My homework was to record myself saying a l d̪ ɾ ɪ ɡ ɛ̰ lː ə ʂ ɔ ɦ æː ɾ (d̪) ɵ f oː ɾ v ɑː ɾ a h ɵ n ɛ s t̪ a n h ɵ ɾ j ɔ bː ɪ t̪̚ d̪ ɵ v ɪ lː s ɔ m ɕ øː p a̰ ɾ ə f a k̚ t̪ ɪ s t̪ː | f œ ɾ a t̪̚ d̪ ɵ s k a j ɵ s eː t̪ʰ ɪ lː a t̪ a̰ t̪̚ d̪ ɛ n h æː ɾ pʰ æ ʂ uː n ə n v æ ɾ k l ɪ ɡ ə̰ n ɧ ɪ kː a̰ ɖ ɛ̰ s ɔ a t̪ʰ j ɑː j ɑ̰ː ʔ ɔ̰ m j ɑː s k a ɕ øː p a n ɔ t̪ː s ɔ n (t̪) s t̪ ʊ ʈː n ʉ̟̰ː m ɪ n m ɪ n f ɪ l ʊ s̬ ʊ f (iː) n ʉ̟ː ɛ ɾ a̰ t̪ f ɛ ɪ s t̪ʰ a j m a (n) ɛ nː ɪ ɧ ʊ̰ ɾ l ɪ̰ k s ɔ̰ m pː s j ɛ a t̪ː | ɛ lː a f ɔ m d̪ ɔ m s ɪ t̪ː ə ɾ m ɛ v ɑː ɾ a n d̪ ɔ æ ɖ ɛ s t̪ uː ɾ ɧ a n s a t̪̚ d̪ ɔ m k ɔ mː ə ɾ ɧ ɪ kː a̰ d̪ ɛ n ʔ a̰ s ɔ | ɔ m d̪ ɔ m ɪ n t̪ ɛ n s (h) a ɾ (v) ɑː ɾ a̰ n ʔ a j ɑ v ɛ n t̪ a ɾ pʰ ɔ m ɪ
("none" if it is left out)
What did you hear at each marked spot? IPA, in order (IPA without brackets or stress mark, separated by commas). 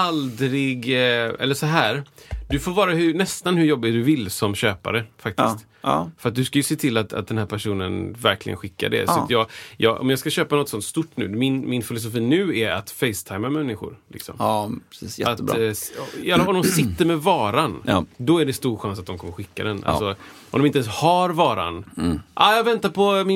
d̪, t̪, iː, m, h, v